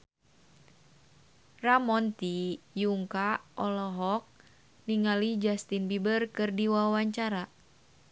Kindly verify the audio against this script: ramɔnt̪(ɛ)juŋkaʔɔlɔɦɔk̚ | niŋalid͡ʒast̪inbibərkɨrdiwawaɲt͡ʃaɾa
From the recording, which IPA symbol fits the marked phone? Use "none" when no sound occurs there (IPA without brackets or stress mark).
i